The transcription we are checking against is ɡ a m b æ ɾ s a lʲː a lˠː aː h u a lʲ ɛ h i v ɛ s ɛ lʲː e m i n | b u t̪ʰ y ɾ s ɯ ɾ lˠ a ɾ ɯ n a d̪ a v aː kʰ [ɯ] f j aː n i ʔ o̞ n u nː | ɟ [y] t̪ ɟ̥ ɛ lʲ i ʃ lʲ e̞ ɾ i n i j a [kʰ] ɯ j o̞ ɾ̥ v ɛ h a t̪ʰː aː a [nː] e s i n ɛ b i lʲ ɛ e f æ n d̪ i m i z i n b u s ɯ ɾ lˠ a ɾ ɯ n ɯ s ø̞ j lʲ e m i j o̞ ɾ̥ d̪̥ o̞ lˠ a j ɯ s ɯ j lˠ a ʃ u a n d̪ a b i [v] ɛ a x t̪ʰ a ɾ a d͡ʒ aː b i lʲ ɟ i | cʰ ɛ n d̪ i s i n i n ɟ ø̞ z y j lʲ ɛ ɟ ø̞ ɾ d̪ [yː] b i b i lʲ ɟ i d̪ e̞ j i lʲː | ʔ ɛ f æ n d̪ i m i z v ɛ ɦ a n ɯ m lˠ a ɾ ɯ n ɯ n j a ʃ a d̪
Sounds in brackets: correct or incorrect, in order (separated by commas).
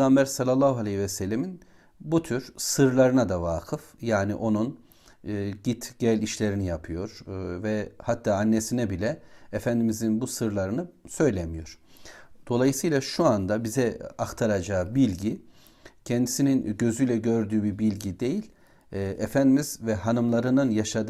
correct, incorrect, incorrect, correct, incorrect, correct